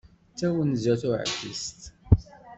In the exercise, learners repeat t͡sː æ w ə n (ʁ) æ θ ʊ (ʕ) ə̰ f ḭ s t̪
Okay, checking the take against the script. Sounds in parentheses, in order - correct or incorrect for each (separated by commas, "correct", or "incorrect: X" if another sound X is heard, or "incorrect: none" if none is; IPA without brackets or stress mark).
incorrect: z, correct